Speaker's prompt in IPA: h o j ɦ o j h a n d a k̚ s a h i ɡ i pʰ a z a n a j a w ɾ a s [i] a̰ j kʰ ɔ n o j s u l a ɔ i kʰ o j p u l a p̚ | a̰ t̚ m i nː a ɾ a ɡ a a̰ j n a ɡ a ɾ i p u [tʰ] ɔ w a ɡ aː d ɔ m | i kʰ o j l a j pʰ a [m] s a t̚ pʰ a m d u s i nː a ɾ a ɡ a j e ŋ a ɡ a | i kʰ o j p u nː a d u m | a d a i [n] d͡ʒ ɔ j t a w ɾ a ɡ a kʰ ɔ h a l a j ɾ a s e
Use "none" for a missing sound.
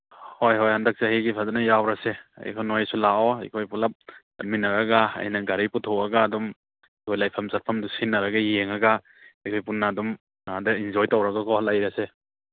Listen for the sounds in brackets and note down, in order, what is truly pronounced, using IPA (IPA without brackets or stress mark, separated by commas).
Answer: e, tʰ, m, n